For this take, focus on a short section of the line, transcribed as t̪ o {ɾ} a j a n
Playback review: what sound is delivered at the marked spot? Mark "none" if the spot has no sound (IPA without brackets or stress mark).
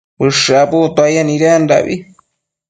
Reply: none